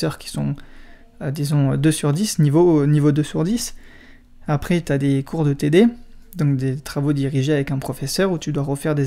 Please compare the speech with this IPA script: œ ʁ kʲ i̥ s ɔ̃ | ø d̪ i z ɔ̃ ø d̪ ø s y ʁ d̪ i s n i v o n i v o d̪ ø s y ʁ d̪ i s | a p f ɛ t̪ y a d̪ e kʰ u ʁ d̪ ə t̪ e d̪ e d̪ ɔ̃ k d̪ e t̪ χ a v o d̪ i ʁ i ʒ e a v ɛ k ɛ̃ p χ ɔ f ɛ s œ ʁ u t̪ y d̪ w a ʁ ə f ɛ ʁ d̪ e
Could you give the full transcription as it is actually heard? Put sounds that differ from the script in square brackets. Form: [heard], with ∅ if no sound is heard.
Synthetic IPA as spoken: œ ʁ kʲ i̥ s ɔ̃ | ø d̪ i z ɔ̃ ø d̪ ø s y ʁ d̪ i s n i v o n i v o d̪ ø s y ʁ d̪ i s | a p [χ] ɛ t̪ y a d̪ e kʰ u ʁ d̪ ə t̪ e d̪ e d̪ ɔ̃ k d̪ e t̪ χ a v o d̪ i ʁ i ʒ e a v ɛ k ɛ̃ p χ ɔ f ɛ s œ ʁ u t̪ y d̪ w a ʁ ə f ɛ ʁ d̪ e